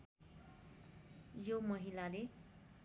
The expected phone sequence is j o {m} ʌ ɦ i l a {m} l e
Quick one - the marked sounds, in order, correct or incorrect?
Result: correct, incorrect: none

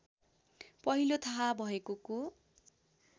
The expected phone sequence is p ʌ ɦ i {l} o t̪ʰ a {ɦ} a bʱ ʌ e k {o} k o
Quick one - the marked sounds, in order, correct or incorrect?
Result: correct, correct, correct

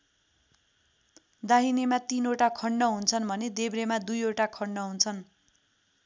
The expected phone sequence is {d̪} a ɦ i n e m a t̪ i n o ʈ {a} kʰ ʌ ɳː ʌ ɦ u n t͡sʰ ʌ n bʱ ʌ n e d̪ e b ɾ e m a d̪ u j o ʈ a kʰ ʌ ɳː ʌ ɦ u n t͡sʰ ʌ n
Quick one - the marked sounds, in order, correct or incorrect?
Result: correct, correct

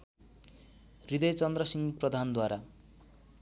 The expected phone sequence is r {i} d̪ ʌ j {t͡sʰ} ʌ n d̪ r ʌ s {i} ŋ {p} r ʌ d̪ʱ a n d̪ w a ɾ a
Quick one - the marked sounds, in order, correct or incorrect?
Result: correct, incorrect: t͡s, correct, correct

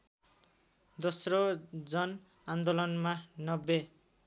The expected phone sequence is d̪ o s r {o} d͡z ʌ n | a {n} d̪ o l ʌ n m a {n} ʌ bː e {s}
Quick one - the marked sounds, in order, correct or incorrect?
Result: correct, correct, correct, incorrect: none

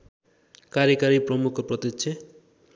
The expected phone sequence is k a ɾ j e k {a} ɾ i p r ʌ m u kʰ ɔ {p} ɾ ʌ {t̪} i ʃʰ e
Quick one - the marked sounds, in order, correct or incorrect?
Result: correct, correct, correct

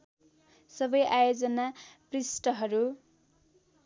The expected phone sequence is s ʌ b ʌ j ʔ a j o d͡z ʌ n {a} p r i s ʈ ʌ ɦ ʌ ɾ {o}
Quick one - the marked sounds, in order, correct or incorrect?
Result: correct, incorrect: u

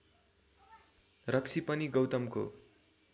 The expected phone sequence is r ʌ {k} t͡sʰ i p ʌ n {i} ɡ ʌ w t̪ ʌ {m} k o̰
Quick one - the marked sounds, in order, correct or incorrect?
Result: correct, correct, correct

